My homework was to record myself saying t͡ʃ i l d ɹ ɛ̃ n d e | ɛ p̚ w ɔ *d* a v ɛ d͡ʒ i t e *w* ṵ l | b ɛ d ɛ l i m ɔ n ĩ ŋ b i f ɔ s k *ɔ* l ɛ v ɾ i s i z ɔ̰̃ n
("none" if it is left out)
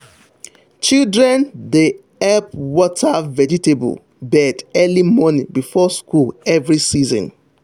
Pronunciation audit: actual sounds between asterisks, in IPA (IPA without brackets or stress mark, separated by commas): t, b, u